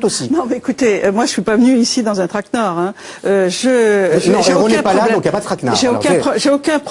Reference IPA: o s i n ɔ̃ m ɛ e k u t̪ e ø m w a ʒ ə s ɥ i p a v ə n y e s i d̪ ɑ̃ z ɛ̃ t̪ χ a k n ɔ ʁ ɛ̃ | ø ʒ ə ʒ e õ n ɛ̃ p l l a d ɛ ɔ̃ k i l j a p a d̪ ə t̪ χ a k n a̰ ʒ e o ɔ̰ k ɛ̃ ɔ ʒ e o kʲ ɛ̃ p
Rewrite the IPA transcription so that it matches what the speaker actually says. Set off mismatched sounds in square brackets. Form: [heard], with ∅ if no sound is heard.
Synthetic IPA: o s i n ɔ̃ m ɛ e k u t̪ e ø m w a ʒ ə s ɥ i p a v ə n y [i] s i d̪ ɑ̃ z ɛ̃ t̪ χ a k n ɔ ʁ ɛ̃ | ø ʒ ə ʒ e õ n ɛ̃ p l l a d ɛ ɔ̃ k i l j a p a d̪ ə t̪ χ a k n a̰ ʒ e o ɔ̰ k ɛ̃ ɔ ʒ e o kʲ ɛ̃ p